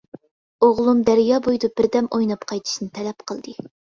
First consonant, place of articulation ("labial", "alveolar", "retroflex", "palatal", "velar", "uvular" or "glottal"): uvular